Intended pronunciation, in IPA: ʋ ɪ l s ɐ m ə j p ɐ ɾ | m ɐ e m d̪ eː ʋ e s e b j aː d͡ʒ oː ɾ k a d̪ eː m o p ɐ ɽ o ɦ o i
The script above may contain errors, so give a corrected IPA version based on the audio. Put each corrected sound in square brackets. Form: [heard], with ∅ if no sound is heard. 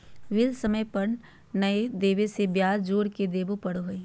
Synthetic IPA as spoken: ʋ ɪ l s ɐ m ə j p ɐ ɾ | [n] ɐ e [∅] d̪ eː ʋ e s e b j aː d͡ʒ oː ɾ k [e] d̪ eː [b] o p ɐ ɽ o ɦ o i